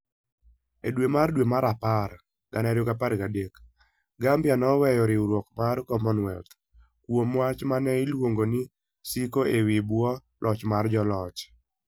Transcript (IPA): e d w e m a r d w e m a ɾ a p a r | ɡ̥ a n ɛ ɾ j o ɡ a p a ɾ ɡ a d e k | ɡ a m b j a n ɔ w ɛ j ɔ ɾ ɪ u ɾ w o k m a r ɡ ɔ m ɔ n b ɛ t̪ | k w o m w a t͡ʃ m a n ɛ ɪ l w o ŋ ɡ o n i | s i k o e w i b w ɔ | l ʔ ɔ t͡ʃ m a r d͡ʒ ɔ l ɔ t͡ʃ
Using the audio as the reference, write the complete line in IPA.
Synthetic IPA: e d w e m a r d w e m a ɾ a p a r | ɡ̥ a n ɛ ɾ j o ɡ a p a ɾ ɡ a d e k | ɡ a m b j a n ɔ w ɛ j ɔ ɾ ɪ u ɾ w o k m a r k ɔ m ɔ n w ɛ t̪ | k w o m w a t͡ʃ m a n ɛ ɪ l w o ŋ ɡ o n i | s i k o e w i b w ɔ | l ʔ ɔ t͡ʃ m a r d͡ʒ ɔ l ɔ t͡ʃ

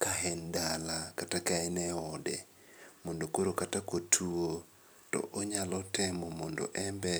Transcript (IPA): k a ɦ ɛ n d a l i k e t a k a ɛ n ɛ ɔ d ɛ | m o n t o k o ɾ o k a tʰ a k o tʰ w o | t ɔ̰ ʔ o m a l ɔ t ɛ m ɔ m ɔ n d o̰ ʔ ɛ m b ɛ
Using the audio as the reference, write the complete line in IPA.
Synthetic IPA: k a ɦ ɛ n d a l a k a t a k a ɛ n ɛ ɔ d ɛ | m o n d o k o ɾ o k a t a k o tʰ u o | t ɔ̰ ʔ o ɲ a l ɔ t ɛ m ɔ m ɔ n d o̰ ʔ ɛ m b ɛ

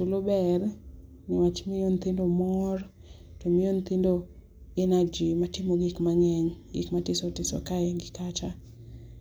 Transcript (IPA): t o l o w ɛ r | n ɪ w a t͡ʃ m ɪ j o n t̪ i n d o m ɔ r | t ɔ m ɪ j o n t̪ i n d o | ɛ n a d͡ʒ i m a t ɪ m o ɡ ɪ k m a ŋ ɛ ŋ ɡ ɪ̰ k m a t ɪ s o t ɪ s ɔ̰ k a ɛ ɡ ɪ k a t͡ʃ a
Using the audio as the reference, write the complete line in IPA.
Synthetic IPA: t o l o b ɛ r | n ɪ w a t͡ʃ m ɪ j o n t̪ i n d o m ɔ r | t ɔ m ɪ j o n t̪ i n d o | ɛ n a d͡ʒ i m a t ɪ m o ɡ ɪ k m a ŋ ɛ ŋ ɡ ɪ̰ k m a t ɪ s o t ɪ s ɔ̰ k a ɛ ɡ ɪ k a t͡ʃ a

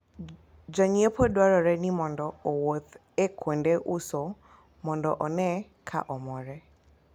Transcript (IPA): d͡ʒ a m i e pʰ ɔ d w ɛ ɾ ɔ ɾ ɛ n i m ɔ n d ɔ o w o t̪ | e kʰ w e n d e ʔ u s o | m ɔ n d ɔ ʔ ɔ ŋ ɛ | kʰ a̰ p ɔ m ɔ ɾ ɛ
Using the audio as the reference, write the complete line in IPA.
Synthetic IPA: d͡ʒ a ɲ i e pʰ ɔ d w a ɾ ɔ ɾ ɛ n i m ɔ n d ɔ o w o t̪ | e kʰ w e n d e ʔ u s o | m ɔ n d ɔ ʔ ɔ n ɛ | kʰ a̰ ʔ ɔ m ɔ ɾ ɛ

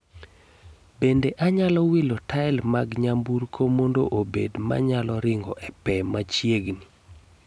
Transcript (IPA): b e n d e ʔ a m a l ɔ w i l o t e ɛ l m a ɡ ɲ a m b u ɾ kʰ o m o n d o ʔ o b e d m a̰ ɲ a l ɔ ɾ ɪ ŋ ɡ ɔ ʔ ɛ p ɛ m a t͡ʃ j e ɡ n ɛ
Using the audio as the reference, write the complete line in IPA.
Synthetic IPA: b e n d e ʔ a ɲ a l ɔ w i l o t a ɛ l m a ɡ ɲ a m b u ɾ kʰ o m o n d o ʔ o b e d m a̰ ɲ a l ɔ ɾ ɪ ŋ ɡ ɔ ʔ ɛ p ɛ m a t͡ʃ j e ɡ n i

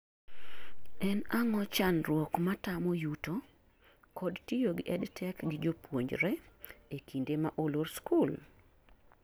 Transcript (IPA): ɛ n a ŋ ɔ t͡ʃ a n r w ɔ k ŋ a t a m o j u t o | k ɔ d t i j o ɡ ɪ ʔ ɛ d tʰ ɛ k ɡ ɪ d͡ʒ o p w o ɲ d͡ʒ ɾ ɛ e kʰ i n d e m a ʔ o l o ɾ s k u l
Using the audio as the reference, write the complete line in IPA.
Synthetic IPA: ɛ n a ŋ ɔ t͡ʃ a n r w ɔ k m a t a m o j u t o | k ɔ d t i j o ɡ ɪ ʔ ɛ d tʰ ɛ k ɡ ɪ d͡ʒ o p w o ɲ d͡ʒ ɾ ɛ e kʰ i n d e m a ʔ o l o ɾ s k u l

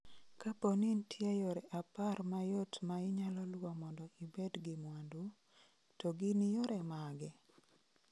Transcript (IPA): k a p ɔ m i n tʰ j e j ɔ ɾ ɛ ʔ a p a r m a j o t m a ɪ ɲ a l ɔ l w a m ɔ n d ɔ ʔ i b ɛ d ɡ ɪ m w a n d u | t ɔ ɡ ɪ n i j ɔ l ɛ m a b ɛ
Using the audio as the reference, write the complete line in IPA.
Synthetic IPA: k a p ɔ n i n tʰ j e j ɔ ɾ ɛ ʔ a p a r m a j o t m a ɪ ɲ a l ɔ l w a m ɔ n d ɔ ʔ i b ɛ d ɡ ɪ m w a n d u | t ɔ ɡ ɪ n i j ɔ ɾ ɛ m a ɡ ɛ

